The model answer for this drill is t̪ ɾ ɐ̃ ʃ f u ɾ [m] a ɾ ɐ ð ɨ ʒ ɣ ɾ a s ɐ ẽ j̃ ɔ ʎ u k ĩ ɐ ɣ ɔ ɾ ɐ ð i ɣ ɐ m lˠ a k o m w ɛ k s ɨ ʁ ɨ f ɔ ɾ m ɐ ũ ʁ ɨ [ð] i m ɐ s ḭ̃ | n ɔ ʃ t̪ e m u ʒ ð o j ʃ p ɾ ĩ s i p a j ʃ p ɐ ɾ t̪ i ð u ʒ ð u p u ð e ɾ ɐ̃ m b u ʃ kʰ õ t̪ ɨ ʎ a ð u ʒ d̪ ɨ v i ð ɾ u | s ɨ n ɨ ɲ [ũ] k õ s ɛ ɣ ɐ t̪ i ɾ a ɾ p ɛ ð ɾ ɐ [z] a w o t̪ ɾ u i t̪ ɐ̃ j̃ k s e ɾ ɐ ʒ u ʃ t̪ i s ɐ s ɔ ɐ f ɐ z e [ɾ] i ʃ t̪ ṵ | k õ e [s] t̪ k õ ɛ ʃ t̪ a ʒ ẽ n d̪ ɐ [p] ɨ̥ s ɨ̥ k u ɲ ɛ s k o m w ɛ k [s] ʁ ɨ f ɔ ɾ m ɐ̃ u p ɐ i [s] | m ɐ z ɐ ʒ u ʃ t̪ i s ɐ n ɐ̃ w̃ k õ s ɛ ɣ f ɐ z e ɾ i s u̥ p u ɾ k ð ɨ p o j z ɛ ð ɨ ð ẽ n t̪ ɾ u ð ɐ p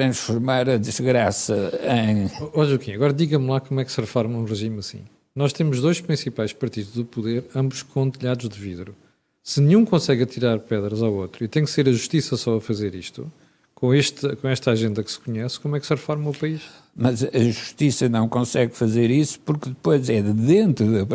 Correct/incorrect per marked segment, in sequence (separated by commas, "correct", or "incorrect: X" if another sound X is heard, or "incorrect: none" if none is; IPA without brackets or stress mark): correct, incorrect: ʒ, correct, correct, correct, incorrect: ʃ, incorrect: k, correct, incorrect: ʃ